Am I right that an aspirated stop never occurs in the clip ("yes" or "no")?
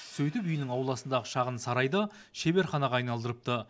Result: yes